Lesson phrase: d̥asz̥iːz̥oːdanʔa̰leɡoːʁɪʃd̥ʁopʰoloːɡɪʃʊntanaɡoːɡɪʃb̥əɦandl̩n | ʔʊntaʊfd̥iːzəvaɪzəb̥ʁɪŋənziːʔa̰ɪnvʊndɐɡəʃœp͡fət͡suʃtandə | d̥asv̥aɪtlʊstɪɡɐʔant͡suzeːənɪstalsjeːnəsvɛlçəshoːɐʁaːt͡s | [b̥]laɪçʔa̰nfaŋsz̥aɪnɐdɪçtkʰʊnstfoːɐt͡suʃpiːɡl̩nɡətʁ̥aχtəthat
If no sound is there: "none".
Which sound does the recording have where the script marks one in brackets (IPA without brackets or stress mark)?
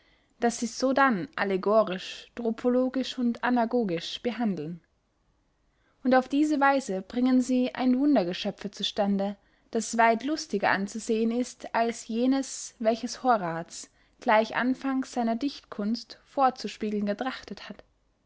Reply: ɡ̥